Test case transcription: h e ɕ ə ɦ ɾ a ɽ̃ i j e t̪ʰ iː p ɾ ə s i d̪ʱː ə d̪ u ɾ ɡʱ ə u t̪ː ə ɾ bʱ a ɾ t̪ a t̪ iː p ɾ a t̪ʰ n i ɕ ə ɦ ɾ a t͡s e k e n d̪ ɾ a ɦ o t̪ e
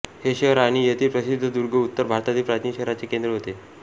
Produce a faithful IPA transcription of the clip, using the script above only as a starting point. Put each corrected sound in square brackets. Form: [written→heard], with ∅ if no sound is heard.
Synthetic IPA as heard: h e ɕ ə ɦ ɾ a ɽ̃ i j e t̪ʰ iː p ɾ ə s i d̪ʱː ə d̪ u ɾ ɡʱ ə u t̪ː ə ɾ bʱ a ɾ t̪ a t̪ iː p ɾ a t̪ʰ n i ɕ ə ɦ ɾ a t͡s e k e n d̪ ɾ [a→ə] ɦ o t̪ e